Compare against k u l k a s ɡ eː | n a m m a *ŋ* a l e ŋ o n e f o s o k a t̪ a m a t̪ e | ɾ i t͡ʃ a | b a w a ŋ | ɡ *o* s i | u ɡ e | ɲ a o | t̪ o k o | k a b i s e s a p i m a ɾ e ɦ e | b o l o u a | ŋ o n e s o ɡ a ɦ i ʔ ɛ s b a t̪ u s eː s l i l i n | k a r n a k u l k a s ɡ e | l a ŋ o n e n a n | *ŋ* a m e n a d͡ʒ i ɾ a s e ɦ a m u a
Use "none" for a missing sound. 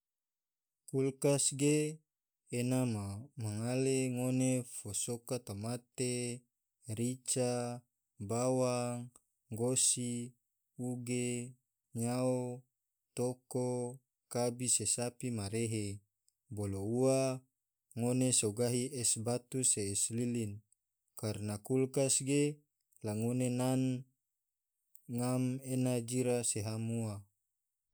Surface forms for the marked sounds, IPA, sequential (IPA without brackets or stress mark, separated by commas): ŋ, o, ŋ